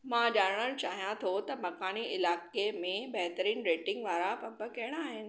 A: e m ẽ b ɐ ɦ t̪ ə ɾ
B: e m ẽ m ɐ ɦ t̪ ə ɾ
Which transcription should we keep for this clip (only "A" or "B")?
A